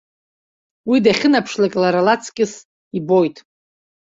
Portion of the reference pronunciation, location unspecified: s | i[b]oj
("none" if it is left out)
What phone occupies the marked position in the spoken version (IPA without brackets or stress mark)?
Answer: b